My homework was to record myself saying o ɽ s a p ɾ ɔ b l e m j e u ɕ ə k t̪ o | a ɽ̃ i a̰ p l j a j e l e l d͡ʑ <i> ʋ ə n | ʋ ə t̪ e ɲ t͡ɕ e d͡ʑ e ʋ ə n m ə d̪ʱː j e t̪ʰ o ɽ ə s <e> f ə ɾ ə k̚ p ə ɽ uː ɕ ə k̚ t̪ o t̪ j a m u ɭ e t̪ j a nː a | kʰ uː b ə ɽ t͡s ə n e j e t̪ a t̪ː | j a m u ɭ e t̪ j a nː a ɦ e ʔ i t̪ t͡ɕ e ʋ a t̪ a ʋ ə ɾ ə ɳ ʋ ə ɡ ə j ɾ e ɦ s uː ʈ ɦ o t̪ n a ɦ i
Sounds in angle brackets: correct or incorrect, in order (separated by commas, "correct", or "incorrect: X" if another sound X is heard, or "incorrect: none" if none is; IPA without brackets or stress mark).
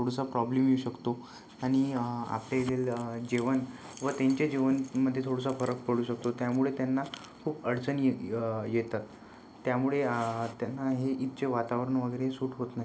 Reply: incorrect: e, incorrect: a